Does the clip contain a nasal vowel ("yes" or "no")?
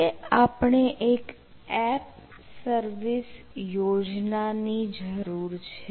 no